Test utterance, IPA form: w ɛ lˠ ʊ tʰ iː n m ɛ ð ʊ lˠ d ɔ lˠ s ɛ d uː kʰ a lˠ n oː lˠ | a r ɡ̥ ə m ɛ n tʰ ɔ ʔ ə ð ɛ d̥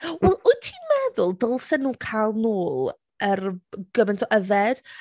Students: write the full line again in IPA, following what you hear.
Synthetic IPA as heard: w ɛ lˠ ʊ tʰ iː n m ɛ ð ʊ lˠ d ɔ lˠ s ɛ n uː kʰ a lˠ n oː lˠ | ə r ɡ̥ ə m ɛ n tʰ ɔ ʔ ə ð ɛ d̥

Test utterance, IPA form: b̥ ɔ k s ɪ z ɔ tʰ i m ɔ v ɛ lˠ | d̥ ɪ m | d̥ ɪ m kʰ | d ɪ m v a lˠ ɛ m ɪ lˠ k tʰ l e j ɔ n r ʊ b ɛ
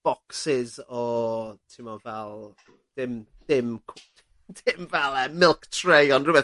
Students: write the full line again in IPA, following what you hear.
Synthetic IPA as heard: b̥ ɔ k s ɪ z ɔ tʰ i m ɔ v ɛ lˠ | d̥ ɪ m | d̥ ɪ m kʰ | d ɪ m v ɛ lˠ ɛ m ɪ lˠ k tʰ r e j ɔ n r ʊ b ɛ

